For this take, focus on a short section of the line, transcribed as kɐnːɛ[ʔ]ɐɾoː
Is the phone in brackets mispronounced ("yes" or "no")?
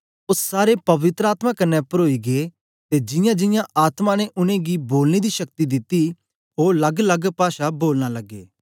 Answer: yes